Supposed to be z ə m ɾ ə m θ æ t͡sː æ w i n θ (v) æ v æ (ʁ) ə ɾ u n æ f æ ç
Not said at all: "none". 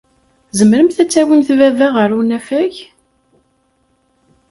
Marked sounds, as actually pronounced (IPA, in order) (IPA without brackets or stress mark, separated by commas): v, ʁ